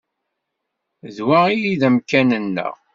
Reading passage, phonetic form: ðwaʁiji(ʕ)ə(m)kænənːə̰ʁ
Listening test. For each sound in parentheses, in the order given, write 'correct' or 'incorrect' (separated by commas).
incorrect, correct